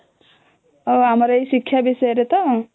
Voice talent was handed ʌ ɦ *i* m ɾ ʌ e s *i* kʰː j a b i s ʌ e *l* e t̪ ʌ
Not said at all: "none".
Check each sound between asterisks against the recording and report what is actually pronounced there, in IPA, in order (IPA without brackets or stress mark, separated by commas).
a, i, ɾ